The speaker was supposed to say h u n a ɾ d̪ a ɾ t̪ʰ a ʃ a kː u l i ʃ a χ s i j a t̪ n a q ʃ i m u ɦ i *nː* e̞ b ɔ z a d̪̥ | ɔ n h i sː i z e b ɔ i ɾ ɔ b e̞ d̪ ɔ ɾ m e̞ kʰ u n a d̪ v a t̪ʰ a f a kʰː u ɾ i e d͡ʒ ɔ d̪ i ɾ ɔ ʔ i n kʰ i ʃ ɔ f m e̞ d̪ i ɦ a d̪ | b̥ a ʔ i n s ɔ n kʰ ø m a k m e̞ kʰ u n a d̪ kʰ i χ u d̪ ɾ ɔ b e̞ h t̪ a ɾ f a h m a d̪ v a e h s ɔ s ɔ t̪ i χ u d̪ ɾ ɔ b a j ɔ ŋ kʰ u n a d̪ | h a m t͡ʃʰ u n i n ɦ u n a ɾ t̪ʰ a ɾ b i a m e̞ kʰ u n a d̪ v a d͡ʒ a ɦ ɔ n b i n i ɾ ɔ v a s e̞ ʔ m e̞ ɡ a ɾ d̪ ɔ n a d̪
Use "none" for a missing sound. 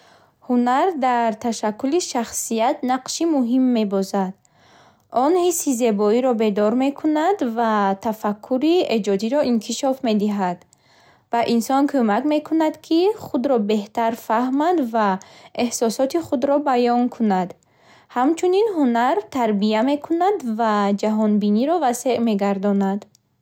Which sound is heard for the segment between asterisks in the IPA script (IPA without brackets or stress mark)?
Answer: mː